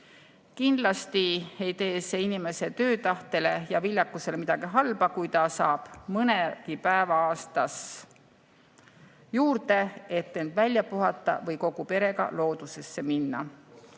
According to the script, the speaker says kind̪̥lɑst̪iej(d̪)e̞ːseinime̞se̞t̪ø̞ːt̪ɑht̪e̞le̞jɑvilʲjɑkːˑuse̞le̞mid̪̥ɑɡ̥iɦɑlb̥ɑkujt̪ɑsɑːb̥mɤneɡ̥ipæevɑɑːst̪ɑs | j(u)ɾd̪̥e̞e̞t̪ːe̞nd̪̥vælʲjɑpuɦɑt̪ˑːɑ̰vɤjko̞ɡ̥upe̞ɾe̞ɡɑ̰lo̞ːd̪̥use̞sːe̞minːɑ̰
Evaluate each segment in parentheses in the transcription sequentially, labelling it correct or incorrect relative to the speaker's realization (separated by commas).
incorrect, incorrect